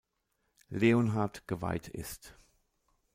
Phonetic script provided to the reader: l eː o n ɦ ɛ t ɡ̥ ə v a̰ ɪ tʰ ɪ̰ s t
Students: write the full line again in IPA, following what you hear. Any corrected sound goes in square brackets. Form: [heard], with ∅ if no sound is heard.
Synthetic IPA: l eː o n ɦ [a] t ɡ̥ ə v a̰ ɪ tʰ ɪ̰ s t